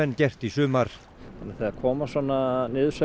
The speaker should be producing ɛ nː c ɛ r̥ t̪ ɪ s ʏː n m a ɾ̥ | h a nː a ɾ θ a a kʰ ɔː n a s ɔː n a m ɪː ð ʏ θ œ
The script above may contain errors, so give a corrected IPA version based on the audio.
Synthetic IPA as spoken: ɛ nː c ɛ r̥ t̪ i s ʏː m a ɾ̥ | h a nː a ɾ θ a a kʰ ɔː m a s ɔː n a n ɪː ð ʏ s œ